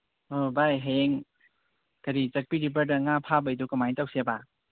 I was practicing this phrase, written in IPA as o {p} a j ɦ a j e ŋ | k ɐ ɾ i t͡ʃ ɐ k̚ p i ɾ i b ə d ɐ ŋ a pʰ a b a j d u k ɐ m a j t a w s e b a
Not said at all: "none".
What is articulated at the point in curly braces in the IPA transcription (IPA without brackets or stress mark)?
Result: b